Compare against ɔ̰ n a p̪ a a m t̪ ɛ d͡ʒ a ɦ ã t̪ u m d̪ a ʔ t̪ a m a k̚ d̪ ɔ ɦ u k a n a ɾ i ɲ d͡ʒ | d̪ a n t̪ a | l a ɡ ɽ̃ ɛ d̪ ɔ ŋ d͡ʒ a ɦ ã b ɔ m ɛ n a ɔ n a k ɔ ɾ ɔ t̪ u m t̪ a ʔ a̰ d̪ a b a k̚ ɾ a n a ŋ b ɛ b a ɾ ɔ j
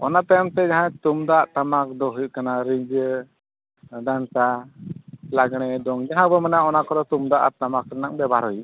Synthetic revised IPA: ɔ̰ n a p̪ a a m t̪ ɛ d͡ʒ a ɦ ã t̪ u m d̪ a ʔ t̪ a m a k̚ d̪ ɔ ɦ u k a n a ɾ i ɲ d͡ʒ | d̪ a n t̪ a | l a ɡ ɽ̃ ɛ d̪ ɔ ŋ d͡ʒ a ɦ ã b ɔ m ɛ n a ɔ n a k ɔ ɾ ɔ t̪ u m d̪ a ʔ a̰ t̪ a m a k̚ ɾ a n a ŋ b ɛ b a ɾ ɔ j